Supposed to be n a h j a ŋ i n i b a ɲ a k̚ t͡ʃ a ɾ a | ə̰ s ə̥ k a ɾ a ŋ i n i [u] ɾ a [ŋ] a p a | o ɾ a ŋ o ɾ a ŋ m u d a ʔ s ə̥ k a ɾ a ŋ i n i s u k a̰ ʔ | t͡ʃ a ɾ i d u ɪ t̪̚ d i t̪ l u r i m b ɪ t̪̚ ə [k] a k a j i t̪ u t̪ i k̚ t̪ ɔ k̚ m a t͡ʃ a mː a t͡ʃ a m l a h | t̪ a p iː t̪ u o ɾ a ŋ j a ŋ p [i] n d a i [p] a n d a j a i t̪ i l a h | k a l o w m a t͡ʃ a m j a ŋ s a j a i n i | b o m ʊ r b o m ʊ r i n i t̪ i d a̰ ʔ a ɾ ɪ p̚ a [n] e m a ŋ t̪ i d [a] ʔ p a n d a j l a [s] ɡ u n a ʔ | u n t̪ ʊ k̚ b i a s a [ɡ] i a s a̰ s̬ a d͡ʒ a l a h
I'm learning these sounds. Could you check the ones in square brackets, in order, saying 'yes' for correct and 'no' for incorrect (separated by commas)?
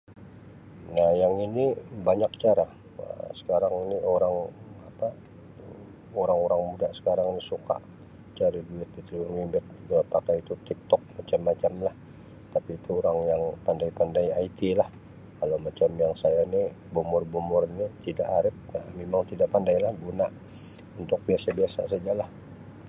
no, yes, no, no, yes, no, yes, no, no